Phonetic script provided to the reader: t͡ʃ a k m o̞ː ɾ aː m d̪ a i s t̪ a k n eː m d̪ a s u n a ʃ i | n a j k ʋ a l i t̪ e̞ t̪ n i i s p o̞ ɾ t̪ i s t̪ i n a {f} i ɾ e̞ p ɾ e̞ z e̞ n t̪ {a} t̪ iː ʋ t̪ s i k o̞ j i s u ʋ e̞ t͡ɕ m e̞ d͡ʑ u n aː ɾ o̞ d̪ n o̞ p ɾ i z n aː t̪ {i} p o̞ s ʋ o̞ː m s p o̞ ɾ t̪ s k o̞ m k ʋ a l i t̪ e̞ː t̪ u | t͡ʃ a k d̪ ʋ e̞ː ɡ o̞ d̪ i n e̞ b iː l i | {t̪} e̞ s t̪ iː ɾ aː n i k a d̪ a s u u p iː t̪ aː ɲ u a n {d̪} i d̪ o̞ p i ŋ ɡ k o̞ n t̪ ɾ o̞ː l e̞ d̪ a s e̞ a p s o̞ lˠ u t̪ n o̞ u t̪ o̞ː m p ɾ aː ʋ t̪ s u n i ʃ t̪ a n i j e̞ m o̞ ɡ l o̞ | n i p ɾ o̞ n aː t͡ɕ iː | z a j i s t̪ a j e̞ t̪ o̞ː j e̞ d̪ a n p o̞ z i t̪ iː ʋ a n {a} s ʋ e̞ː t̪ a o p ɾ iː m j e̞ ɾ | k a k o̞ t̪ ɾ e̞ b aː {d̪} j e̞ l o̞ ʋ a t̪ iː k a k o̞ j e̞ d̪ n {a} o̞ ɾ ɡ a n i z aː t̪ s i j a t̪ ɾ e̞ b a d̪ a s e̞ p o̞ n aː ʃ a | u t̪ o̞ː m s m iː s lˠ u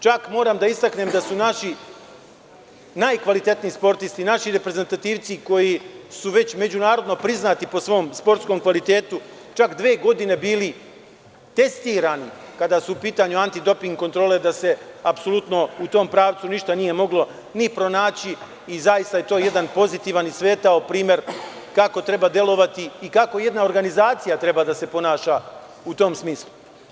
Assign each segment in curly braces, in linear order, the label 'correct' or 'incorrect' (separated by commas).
incorrect, correct, correct, correct, incorrect, incorrect, correct, correct